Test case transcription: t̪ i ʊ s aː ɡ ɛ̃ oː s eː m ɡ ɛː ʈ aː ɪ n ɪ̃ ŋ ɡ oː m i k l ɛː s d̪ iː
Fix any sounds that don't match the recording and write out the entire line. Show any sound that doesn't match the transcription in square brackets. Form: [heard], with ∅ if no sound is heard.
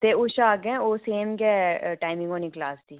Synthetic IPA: t̪ [e] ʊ [ʃ] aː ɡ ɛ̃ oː s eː m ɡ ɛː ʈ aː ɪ [m] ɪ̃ ŋ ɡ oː [n] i k l [aː] s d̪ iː